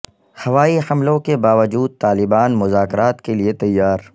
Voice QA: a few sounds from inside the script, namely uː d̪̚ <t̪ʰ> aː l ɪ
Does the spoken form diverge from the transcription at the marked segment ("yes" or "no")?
yes